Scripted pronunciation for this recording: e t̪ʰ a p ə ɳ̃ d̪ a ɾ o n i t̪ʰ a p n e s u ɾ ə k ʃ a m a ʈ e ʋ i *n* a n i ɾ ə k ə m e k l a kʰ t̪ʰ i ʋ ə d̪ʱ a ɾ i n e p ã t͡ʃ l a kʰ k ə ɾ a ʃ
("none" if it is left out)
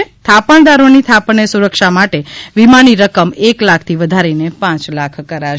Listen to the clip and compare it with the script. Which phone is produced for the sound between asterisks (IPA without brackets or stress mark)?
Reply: m